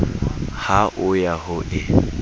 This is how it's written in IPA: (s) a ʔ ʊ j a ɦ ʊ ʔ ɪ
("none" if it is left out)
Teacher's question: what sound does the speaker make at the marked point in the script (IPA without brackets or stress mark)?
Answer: h